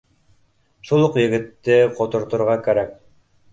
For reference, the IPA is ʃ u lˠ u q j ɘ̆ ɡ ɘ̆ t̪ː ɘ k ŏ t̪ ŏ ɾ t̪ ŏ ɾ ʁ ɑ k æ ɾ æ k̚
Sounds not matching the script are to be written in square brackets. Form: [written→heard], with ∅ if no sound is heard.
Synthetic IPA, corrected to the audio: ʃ u lˠ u q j ɘ̆ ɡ ɘ̆ t̪ː ɘ [k→q] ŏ t̪ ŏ ɾ t̪ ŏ ɾ ʁ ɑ k æ ɾ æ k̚